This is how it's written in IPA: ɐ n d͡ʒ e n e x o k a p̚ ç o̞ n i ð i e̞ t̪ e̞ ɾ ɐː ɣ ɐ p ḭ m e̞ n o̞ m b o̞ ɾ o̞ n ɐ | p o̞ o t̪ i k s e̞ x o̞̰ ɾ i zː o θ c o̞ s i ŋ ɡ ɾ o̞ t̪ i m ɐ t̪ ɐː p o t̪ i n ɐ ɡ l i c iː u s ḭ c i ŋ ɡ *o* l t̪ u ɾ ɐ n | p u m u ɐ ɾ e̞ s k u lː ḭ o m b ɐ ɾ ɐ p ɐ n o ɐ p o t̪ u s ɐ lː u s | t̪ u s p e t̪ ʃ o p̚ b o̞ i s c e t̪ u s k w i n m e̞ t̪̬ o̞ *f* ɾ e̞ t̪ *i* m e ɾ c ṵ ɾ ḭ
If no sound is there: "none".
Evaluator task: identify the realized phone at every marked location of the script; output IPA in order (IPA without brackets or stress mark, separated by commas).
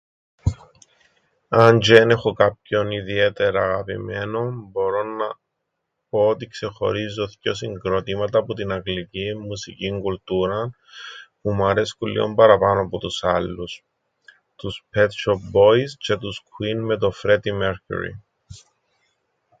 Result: u, f, i